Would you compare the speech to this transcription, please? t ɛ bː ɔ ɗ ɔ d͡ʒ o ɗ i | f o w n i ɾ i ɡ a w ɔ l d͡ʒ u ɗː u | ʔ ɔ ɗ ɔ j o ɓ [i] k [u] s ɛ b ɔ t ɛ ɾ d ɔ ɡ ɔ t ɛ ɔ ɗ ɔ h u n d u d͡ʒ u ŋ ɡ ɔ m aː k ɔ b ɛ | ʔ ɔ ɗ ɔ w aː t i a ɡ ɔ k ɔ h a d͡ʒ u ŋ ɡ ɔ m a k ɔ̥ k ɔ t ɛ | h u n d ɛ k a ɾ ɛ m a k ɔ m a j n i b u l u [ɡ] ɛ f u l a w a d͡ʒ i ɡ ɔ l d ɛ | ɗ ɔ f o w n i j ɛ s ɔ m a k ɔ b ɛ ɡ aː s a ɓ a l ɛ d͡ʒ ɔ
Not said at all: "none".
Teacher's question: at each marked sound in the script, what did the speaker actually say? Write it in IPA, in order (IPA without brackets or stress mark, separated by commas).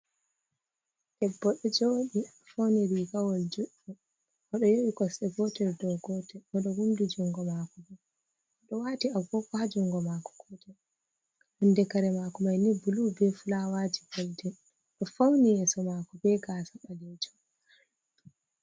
i, ɔ, b